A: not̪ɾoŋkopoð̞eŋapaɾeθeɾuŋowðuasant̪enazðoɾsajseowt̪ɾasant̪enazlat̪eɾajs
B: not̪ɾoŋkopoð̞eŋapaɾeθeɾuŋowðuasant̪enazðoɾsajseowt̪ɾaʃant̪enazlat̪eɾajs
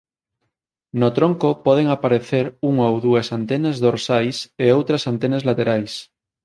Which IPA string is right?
A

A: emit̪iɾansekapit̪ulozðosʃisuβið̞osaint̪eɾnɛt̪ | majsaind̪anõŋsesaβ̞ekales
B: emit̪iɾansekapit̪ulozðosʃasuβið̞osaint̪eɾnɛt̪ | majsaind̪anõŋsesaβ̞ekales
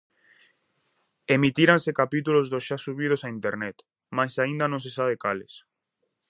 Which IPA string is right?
B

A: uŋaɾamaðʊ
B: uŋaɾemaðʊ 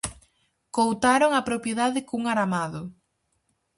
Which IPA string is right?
A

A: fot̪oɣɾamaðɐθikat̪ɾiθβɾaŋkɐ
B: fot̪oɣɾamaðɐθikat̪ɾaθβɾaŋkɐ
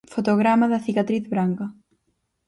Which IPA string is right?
A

